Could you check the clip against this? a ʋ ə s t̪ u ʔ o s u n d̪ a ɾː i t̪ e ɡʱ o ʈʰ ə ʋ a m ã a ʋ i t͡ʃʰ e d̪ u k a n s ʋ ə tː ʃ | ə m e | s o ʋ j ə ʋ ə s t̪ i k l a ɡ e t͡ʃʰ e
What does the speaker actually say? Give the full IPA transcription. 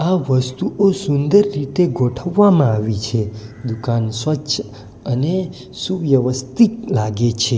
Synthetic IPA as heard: a ʋ ə s t̪ u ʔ o s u n d̪ ə ɾː i t̪ e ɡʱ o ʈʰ ə ʋː a m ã a ʋ i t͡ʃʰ e d̪ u k a n s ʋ ə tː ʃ | ə n e | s u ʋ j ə ʋ ə s t̪ i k l a ɡ e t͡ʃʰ e